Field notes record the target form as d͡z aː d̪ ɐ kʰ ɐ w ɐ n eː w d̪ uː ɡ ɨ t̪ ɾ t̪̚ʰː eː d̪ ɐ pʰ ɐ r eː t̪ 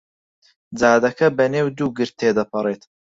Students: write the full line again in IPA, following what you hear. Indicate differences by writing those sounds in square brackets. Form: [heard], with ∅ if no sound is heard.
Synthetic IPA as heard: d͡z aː d̪ ɐ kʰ ɐ [b] ɐ n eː w d̪ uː ɡ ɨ [∅] ɾ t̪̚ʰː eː d̪ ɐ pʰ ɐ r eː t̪